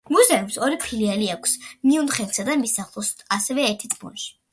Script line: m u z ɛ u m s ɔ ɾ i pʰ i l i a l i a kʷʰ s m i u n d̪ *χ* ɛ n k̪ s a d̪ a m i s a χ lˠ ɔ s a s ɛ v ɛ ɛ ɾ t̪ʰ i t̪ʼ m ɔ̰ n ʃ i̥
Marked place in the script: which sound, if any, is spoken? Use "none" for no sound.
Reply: χ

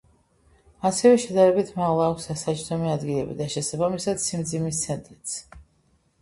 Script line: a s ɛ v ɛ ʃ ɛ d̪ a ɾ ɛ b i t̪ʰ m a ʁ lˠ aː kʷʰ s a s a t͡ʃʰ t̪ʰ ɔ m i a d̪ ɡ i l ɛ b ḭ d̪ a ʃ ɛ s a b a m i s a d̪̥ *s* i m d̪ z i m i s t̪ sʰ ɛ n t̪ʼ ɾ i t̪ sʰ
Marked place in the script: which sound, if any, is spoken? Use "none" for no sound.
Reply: s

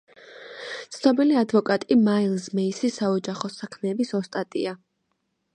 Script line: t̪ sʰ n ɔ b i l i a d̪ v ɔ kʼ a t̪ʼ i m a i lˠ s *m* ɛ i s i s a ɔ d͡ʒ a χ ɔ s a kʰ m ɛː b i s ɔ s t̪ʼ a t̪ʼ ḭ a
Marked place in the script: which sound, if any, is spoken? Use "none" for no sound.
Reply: m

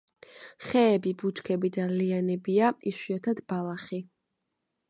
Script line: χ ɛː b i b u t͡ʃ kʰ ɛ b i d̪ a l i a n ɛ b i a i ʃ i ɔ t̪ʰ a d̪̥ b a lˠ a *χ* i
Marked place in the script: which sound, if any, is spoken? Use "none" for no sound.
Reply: χ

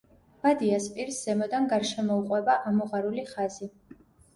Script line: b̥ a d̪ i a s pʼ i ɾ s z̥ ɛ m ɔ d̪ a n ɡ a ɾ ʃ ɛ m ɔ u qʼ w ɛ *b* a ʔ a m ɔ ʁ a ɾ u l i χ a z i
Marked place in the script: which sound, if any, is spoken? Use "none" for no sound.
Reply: b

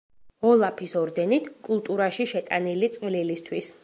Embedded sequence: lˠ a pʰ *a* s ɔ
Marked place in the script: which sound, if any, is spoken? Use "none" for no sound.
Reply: i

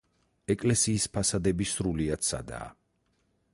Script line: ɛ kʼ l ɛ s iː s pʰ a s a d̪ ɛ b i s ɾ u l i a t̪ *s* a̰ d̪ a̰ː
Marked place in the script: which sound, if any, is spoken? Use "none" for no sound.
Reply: s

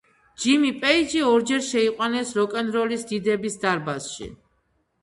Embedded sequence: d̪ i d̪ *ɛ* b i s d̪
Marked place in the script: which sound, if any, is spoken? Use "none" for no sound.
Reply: ɛ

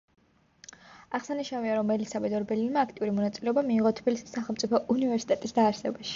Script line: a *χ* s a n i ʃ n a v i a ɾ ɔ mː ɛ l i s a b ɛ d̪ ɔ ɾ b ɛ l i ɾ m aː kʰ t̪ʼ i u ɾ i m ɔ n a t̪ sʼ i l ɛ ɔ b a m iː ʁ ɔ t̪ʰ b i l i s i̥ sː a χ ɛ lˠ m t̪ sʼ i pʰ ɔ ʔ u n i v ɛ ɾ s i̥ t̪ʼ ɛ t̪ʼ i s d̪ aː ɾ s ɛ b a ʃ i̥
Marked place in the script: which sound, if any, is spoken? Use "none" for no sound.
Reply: ʁ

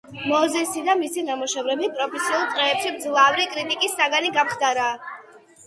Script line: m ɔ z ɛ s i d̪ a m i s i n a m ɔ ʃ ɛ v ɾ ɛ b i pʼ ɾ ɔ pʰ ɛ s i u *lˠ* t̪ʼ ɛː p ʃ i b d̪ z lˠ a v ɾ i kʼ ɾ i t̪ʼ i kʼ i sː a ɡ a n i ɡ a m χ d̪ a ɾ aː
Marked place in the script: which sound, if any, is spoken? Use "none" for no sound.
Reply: lˠ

